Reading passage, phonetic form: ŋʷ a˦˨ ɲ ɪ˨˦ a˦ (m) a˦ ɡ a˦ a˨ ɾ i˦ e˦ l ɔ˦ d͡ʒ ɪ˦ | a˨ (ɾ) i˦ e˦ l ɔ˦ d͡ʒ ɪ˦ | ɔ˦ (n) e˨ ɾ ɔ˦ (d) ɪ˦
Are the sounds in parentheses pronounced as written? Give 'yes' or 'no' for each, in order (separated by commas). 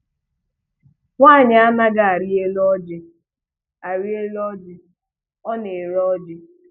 yes, yes, yes, no